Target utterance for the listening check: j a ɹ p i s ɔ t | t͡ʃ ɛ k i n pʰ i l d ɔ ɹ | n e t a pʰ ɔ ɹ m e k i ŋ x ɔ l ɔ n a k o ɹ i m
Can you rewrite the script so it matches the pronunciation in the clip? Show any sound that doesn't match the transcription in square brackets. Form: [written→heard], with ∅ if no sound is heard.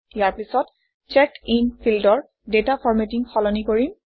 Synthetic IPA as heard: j a ɹ p i s ɔ t | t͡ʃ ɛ k i n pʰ i l d ɔ ɹ | [n→d] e t a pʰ ɔ ɹ m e [k→t] i ŋ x ɔ l ɔ n [a→i] k o ɹ i m